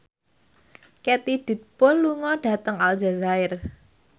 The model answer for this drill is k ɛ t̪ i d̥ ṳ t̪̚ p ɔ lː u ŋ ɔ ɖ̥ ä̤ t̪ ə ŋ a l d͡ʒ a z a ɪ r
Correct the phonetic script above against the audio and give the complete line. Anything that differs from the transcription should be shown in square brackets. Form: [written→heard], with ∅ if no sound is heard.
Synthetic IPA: k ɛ t̪ i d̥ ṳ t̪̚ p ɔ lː u ŋ ɔ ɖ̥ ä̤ t̪ ə ŋ a l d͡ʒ a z a ɪ r